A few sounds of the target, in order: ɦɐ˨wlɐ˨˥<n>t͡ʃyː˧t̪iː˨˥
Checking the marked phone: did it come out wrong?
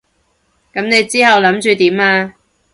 yes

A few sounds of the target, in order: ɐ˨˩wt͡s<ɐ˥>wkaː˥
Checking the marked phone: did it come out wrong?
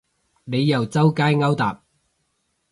no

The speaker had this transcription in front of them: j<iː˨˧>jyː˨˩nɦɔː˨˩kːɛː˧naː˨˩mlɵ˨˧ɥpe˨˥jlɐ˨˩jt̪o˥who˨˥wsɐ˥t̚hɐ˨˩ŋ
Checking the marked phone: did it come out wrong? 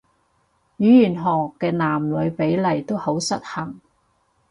yes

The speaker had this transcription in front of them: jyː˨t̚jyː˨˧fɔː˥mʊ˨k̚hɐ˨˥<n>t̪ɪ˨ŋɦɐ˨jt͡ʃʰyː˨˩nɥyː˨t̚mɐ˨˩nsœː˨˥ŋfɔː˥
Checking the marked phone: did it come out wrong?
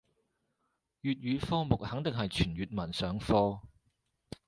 yes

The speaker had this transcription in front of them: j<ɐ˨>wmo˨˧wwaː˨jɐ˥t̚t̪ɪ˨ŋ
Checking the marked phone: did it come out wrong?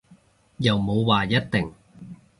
no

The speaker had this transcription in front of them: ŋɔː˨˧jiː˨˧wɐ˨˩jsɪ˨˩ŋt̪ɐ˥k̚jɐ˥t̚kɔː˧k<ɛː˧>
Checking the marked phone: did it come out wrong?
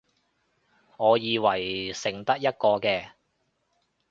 no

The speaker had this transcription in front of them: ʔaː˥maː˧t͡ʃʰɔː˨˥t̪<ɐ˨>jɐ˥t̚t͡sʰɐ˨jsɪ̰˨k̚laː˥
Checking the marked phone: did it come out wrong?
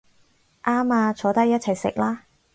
yes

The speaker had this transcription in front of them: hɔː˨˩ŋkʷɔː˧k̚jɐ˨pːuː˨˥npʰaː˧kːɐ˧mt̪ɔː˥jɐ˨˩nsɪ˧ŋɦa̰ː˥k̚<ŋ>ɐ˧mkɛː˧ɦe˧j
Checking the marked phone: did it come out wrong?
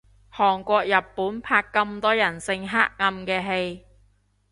no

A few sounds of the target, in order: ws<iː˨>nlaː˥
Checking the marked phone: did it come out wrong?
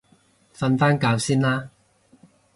yes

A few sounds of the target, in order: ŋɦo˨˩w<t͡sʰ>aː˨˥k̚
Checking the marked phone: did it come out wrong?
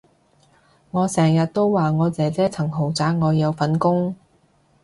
yes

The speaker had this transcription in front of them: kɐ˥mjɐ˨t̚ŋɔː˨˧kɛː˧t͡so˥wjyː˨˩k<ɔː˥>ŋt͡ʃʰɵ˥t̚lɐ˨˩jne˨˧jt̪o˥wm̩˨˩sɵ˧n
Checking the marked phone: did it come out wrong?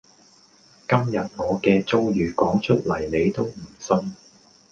yes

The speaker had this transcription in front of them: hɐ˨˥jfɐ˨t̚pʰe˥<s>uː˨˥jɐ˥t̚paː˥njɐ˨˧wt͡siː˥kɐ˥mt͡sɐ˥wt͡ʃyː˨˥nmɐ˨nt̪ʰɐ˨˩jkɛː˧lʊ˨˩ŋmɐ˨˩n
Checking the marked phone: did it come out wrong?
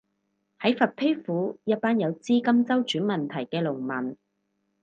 yes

